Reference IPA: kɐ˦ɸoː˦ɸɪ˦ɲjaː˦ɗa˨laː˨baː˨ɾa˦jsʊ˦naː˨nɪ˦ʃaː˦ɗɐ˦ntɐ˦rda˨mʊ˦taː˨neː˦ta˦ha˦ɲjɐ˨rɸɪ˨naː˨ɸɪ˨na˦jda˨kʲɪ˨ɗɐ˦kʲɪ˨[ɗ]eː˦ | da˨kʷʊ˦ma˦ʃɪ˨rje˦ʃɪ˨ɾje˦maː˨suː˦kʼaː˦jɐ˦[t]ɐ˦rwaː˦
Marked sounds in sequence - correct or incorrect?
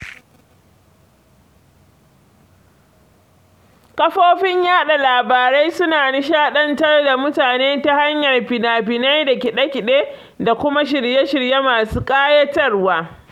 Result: correct, correct

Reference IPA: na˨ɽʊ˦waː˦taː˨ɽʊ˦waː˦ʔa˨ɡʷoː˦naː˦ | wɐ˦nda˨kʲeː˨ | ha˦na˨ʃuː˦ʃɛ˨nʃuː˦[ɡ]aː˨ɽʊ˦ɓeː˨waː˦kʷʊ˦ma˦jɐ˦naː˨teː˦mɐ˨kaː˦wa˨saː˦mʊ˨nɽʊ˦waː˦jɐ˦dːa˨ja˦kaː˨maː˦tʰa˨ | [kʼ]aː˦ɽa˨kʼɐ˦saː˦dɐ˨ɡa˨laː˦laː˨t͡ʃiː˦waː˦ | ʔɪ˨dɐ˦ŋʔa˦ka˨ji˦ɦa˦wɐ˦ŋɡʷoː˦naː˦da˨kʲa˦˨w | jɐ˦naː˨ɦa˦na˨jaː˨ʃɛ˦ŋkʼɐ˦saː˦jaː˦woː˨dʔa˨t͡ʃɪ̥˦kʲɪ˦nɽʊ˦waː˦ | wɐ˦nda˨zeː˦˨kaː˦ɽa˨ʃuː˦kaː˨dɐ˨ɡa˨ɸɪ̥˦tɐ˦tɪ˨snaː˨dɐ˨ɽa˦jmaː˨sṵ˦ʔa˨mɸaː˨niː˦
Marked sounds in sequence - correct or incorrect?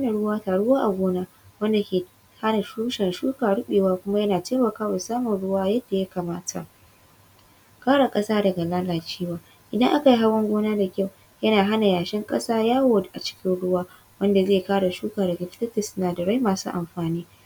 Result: incorrect, incorrect

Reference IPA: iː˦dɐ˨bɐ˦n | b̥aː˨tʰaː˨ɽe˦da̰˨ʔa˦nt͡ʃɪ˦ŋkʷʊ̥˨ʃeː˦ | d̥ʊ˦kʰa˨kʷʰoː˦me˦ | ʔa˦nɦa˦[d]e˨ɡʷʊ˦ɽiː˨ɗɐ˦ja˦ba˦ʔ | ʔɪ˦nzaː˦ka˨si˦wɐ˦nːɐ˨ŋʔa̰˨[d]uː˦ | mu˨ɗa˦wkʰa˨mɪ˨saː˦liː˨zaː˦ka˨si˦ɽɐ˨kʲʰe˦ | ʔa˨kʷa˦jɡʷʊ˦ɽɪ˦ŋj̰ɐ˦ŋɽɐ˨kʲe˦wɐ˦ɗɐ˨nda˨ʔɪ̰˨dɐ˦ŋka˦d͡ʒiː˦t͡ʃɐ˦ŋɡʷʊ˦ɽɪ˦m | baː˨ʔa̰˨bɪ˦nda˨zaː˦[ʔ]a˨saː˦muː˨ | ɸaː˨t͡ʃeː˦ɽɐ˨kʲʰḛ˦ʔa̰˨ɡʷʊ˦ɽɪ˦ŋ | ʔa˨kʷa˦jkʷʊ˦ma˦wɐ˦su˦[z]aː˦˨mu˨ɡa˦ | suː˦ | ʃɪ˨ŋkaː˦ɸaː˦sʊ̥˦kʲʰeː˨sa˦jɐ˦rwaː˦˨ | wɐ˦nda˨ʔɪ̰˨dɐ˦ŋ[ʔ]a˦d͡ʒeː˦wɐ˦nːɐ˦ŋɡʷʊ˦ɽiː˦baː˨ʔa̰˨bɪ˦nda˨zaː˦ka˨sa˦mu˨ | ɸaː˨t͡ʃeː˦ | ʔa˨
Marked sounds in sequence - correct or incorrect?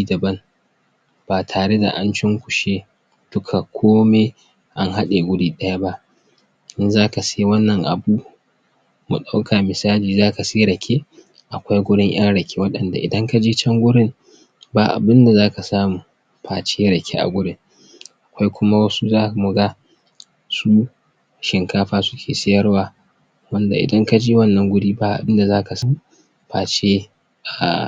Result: incorrect, incorrect, incorrect, correct, incorrect

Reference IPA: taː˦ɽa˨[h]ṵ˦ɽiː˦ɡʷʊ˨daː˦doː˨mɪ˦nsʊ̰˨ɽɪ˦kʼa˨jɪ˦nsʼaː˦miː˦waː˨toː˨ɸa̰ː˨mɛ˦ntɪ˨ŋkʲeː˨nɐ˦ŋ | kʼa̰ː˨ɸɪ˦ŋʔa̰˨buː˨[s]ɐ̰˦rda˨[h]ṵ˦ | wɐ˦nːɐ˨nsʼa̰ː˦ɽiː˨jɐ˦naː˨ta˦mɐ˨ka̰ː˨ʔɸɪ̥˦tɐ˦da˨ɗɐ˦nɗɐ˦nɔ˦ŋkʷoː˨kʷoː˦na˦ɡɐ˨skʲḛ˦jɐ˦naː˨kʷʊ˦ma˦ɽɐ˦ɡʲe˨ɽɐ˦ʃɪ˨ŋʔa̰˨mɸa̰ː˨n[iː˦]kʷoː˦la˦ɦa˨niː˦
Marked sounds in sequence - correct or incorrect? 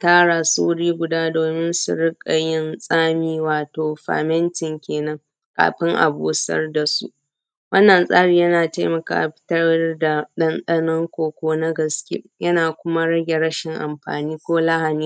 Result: incorrect, correct, incorrect, correct

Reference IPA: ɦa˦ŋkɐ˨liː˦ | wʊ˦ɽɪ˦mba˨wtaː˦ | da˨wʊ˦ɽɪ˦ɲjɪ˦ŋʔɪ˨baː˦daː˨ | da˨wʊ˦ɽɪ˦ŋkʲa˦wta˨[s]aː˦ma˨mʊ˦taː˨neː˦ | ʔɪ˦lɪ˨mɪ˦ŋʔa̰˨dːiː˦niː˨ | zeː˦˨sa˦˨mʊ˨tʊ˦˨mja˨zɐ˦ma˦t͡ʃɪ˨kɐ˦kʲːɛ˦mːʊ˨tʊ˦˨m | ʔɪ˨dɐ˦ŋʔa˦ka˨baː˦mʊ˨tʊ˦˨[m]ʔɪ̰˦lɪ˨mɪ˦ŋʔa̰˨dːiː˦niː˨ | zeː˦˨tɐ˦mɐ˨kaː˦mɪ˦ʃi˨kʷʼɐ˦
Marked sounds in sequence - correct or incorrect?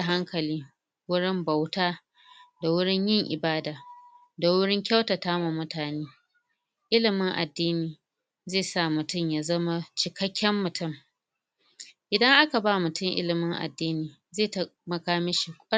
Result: incorrect, incorrect

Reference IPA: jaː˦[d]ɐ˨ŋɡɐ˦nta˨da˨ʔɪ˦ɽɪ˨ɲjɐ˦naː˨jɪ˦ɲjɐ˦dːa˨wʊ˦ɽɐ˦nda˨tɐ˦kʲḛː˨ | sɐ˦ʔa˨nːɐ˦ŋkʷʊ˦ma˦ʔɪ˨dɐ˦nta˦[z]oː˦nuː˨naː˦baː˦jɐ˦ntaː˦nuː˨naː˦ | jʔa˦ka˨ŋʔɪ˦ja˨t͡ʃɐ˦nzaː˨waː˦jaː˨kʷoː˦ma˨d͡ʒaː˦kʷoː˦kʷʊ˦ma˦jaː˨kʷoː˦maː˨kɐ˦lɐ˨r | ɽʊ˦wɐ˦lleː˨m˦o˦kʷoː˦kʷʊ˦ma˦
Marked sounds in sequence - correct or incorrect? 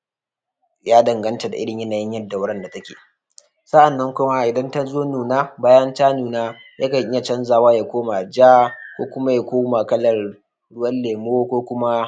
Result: correct, correct

